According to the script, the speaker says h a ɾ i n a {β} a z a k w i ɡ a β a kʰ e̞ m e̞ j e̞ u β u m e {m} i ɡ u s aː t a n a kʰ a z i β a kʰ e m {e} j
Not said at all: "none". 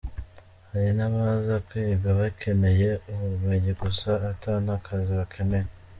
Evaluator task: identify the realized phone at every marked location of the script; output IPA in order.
β, ɲ, e

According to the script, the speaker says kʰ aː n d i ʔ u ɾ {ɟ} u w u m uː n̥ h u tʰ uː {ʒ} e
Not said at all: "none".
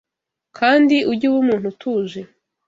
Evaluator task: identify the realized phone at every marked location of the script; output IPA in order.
ɟ, ʒ

